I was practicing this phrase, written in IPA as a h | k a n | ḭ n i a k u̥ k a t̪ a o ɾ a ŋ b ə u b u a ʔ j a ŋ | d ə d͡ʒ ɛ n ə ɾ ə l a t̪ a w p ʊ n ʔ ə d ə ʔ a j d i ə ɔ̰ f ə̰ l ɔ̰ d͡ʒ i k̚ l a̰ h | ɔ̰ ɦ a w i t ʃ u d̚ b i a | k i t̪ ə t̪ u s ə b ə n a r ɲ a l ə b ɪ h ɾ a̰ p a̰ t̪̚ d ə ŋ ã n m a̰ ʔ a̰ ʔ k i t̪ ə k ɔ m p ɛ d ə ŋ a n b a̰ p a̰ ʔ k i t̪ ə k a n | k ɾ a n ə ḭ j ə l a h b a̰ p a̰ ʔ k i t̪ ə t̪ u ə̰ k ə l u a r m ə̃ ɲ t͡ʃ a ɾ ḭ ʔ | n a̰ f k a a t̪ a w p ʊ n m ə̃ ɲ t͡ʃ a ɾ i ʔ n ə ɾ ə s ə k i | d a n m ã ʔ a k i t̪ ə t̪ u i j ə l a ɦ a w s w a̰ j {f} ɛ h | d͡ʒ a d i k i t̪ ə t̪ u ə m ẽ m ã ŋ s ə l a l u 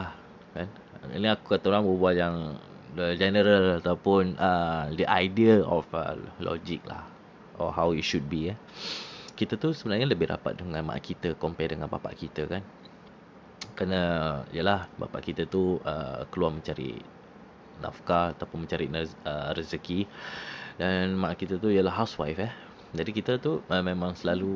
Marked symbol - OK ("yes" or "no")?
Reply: yes